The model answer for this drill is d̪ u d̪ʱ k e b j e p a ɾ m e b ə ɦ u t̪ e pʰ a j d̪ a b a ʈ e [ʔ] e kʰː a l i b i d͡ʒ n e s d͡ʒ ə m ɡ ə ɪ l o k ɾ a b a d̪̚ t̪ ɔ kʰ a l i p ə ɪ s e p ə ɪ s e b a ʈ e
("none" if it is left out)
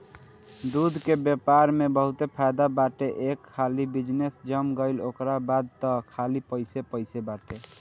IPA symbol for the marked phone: ʔ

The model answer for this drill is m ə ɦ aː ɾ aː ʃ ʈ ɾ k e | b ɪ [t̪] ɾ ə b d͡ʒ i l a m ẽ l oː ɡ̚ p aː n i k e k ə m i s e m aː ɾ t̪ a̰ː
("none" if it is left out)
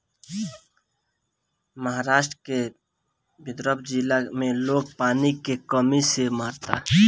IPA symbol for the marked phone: d̪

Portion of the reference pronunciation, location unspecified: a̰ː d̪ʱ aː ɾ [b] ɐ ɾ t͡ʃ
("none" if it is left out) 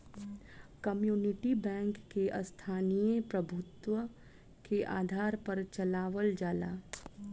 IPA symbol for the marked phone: p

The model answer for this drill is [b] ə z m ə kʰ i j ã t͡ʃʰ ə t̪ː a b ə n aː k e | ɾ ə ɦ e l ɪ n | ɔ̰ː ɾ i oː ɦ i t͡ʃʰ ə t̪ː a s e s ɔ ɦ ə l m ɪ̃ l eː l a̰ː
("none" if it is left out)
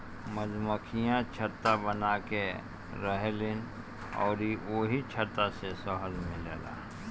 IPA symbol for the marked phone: m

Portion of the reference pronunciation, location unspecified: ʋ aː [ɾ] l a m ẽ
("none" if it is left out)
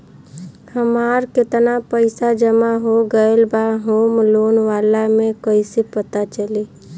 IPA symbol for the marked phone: none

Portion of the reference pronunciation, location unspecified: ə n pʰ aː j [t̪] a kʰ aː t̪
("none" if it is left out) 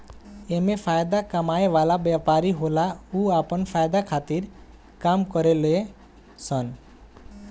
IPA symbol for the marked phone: d̪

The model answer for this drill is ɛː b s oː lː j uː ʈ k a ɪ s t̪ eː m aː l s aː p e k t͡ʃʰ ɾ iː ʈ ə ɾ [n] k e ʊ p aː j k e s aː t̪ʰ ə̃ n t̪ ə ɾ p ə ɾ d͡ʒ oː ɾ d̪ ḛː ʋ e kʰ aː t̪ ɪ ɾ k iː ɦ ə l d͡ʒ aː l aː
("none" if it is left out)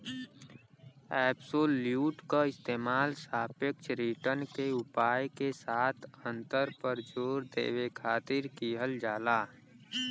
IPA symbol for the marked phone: n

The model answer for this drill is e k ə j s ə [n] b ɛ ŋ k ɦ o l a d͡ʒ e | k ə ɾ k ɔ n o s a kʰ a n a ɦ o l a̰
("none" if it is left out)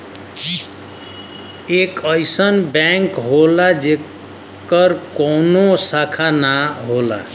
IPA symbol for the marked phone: n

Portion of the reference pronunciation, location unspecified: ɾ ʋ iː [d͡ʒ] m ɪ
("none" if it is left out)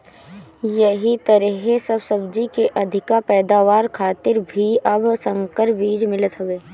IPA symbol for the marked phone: d͡ʒ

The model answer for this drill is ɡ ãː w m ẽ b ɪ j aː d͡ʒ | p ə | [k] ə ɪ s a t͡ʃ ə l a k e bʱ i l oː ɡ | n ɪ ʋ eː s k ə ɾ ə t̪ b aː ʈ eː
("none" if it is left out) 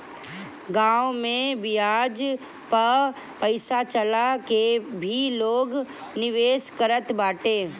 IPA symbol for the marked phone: p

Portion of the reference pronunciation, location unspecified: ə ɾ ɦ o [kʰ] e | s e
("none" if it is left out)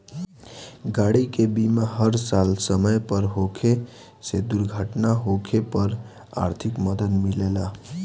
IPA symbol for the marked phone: kʰ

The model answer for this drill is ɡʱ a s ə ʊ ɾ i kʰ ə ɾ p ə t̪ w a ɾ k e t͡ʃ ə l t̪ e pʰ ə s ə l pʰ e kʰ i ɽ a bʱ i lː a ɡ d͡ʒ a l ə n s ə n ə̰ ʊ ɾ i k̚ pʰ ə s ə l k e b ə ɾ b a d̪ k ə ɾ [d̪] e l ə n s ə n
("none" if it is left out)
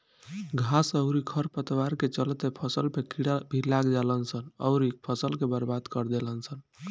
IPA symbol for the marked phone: d̪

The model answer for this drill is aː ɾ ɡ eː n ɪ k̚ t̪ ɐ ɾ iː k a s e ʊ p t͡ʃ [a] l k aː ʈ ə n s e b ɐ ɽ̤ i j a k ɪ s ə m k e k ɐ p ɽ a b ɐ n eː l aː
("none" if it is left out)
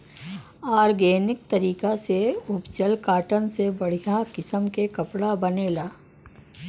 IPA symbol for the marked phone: ə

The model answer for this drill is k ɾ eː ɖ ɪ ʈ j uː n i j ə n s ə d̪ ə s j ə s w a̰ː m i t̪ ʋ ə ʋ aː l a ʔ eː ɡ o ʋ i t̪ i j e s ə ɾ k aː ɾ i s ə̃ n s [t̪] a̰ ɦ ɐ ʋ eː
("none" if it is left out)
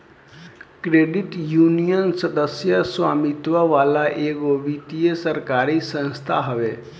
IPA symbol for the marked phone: t̪ʰ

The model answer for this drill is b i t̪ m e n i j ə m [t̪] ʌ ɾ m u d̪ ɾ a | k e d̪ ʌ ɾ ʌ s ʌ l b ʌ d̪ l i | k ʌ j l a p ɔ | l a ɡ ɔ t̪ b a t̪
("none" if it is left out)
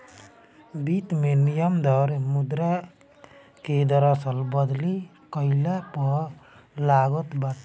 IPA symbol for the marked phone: d̪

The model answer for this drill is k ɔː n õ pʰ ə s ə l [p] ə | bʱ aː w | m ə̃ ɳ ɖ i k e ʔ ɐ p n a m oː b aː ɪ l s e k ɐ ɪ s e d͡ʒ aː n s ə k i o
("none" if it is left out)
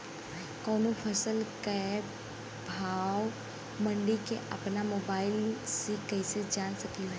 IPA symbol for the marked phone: k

